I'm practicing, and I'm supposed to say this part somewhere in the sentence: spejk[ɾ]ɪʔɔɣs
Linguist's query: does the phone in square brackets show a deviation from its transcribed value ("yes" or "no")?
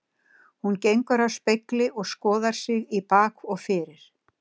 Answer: yes